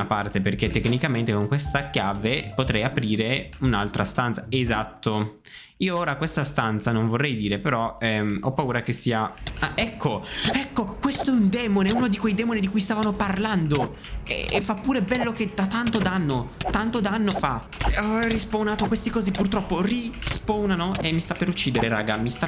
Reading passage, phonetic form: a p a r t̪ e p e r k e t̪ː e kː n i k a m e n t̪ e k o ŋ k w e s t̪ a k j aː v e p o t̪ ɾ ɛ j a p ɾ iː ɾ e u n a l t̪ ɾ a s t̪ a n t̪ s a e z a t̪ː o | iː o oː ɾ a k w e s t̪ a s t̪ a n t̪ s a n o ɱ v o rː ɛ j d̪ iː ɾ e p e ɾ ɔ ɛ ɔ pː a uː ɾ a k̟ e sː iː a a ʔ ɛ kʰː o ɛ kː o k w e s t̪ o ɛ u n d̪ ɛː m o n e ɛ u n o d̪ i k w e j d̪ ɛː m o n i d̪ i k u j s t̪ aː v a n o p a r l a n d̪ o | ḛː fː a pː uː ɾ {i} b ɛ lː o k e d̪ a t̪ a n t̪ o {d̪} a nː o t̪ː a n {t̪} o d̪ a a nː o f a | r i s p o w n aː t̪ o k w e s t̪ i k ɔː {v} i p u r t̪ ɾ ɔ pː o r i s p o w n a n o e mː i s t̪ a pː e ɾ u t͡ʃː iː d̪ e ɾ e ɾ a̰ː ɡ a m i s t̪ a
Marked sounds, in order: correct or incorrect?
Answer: incorrect, correct, correct, incorrect

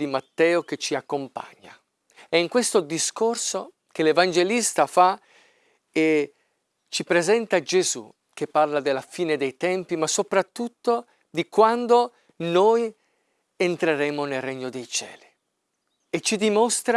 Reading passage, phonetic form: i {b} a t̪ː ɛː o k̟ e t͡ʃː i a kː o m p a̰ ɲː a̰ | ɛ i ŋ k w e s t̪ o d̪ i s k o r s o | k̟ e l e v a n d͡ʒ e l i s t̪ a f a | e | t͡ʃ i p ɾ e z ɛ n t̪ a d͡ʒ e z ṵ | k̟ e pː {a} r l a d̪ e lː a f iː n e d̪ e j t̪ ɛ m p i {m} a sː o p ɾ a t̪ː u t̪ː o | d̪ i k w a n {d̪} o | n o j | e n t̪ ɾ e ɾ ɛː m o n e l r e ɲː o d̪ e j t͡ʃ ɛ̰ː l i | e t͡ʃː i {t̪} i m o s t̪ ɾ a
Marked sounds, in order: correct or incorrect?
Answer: incorrect, correct, correct, correct, incorrect

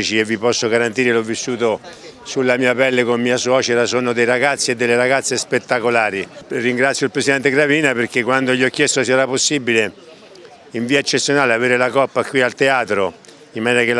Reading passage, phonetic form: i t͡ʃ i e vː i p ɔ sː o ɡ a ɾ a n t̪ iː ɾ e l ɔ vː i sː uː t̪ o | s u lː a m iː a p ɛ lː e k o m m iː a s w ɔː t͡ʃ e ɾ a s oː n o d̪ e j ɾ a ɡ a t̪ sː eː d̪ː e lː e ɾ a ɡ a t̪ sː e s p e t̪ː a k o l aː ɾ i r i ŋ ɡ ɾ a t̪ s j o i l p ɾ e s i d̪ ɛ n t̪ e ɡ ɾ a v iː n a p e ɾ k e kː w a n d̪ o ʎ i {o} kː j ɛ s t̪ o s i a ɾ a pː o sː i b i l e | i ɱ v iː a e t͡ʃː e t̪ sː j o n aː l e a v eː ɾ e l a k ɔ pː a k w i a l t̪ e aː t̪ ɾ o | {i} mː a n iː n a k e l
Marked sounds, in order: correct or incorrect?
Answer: incorrect, correct

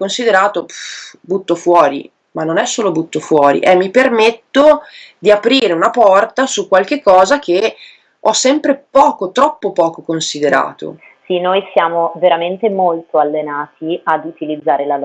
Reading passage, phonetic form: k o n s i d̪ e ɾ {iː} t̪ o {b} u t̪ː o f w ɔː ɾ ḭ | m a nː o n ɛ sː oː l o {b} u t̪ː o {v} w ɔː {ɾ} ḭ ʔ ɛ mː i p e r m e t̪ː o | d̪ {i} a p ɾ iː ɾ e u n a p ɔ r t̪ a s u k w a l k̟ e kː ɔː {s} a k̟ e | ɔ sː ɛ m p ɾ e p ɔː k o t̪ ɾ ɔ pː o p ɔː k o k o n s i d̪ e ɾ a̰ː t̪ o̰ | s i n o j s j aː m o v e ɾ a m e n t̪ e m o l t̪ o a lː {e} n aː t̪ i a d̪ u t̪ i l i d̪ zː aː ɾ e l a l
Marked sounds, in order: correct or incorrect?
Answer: incorrect, correct, correct, incorrect, correct, correct, incorrect, correct

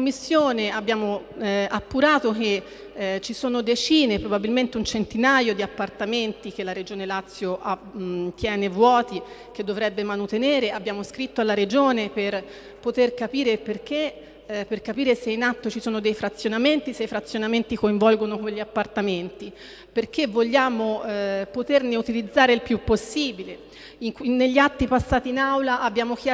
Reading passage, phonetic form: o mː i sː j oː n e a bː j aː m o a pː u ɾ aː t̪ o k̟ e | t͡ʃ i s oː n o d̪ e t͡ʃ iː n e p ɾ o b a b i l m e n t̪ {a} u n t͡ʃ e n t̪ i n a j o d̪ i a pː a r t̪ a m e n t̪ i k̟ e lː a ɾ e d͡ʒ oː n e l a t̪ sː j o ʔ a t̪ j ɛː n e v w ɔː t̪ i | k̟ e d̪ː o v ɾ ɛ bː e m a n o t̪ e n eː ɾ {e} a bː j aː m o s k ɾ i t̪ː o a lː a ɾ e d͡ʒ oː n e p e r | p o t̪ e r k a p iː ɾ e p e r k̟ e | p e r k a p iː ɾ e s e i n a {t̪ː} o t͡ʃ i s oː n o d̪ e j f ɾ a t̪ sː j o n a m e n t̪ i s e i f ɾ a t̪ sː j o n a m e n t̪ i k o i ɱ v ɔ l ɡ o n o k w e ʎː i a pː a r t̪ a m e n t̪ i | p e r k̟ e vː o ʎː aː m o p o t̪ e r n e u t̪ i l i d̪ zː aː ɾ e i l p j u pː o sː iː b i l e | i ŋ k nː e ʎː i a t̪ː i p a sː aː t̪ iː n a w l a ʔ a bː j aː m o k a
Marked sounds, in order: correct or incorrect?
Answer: incorrect, correct, correct

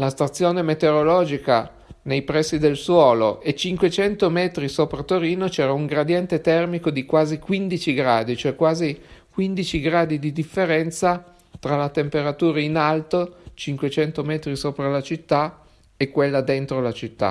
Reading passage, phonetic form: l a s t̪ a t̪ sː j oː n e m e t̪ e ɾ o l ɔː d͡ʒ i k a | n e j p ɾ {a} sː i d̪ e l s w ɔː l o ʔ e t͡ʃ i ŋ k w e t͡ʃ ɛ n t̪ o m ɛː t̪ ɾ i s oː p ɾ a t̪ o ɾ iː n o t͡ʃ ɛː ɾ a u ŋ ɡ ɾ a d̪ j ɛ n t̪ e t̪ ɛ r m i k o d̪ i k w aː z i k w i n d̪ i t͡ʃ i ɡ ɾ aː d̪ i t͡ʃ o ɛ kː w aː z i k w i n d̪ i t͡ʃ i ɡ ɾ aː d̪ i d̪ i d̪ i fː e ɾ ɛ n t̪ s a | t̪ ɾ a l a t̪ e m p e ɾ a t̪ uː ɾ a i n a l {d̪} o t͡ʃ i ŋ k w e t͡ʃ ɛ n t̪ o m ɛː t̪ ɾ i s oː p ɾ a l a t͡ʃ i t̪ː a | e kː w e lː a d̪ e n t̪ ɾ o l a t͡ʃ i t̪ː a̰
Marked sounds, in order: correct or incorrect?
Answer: incorrect, incorrect

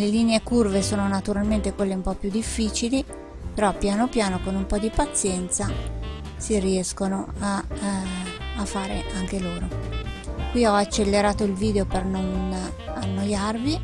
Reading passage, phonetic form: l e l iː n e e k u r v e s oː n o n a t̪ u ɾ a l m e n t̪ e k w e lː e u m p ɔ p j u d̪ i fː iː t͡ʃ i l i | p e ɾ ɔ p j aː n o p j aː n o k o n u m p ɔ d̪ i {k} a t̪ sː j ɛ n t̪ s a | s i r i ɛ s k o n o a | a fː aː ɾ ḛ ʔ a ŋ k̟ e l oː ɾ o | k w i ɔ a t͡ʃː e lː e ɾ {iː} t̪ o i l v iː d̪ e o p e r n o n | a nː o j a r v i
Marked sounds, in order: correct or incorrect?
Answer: incorrect, incorrect

